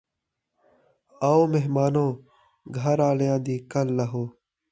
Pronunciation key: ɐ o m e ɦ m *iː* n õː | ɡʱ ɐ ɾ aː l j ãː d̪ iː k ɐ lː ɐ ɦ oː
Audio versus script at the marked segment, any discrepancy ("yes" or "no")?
yes